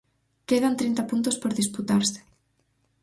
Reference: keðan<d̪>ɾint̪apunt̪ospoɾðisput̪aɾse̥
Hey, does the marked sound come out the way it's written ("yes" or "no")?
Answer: no